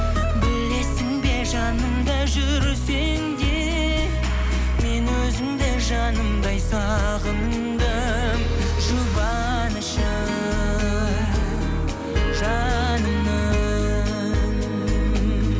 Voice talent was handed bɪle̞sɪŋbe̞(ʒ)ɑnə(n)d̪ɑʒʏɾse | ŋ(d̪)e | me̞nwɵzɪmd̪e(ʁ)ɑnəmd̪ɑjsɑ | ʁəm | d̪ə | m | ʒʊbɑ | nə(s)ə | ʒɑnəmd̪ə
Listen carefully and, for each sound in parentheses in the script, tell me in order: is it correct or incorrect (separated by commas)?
correct, incorrect, correct, incorrect, incorrect